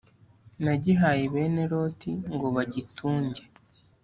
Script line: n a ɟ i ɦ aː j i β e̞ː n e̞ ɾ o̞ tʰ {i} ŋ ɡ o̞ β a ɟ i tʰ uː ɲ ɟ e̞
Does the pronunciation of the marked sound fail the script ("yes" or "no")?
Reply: no